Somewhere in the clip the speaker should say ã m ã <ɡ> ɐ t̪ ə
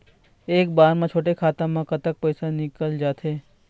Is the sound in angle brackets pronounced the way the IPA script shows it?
no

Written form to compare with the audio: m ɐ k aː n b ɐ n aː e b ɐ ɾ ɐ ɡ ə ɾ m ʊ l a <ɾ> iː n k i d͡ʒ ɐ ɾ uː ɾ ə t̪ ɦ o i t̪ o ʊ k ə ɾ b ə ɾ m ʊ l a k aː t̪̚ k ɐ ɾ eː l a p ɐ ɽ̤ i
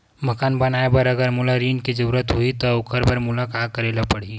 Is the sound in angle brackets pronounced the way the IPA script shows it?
yes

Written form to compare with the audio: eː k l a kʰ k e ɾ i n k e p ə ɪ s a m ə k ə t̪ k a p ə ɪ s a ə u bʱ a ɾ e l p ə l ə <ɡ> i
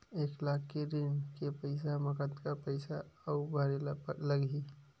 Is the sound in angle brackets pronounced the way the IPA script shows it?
yes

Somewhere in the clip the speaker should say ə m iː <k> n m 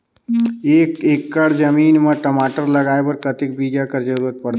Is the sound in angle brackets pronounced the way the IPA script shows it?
no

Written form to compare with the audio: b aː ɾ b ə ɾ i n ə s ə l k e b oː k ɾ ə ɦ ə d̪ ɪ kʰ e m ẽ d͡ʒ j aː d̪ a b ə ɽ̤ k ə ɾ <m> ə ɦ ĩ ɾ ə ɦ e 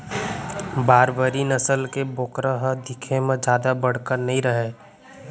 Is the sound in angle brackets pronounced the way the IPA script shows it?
no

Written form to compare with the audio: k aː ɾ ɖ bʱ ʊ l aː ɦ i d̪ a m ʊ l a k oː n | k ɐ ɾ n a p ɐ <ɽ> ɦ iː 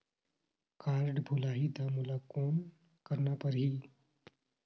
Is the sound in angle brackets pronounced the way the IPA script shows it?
no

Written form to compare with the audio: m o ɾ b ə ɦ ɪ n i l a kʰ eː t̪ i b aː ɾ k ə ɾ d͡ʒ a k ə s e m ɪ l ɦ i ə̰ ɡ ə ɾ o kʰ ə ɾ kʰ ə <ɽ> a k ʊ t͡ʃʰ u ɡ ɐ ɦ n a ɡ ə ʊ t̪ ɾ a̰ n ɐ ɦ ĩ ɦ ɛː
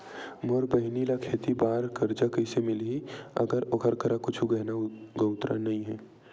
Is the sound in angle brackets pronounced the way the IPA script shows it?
no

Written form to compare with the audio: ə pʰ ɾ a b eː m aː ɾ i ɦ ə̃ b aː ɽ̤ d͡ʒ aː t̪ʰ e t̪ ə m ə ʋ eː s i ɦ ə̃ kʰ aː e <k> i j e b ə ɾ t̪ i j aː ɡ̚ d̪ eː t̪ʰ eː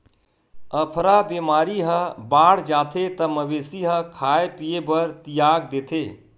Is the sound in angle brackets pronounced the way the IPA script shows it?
no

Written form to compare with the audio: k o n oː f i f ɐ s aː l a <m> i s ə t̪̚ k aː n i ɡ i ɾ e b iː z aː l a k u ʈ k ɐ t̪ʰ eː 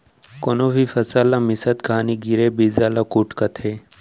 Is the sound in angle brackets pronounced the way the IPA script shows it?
yes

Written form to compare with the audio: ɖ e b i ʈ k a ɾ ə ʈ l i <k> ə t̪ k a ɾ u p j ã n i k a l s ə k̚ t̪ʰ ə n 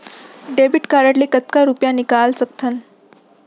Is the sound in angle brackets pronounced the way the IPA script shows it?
yes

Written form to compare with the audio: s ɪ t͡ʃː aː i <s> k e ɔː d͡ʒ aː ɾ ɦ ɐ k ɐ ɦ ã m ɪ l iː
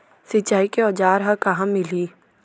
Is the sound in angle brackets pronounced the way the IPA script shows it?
no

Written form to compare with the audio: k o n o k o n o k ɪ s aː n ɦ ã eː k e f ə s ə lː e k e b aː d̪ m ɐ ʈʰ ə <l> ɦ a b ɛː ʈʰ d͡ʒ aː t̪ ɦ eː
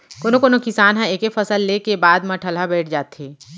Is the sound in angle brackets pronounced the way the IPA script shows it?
yes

